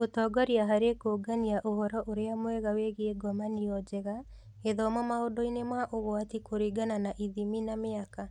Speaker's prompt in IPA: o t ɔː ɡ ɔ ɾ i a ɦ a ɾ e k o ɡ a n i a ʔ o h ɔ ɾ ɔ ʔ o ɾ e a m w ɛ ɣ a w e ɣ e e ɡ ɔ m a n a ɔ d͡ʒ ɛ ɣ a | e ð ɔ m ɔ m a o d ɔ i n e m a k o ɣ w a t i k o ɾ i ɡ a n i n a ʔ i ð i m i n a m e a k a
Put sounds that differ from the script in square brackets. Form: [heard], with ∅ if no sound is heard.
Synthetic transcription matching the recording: o t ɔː ɡ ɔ ɾ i a ɦ a ɾ e k o ɡ a n i a ʔ o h ɔ ɾ ɔ ʔ o ɾ e a m w ɛ ɣ a w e ɣ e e ɡ ɔ m a n [i] ɔ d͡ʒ ɛ ɣ a | e ð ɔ m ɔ m a o d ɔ i n e m a [ʔ] o ɣ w a t i k o ɾ i ɡ a n [a] n a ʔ i ð i m i n a m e a k a